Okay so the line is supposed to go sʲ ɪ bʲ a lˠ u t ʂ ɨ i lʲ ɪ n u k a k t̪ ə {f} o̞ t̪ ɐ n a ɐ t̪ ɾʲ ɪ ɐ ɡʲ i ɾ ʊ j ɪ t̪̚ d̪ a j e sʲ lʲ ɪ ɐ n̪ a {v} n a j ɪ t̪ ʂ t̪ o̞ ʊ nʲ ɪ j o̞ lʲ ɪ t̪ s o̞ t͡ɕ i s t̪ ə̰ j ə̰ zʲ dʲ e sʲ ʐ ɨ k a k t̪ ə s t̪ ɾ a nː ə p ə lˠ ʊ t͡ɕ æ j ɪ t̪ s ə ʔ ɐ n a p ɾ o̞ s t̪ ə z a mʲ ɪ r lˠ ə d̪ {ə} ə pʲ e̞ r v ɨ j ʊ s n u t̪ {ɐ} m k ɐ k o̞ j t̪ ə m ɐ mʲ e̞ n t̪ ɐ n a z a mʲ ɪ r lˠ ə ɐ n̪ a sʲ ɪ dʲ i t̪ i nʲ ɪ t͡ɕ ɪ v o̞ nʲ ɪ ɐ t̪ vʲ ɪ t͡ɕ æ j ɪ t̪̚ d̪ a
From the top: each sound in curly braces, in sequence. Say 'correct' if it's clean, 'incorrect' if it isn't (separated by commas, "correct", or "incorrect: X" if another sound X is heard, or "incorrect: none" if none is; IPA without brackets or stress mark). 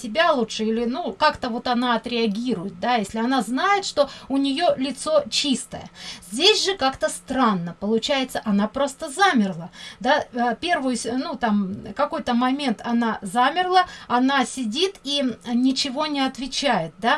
incorrect: v, incorrect: z, incorrect: a, incorrect: a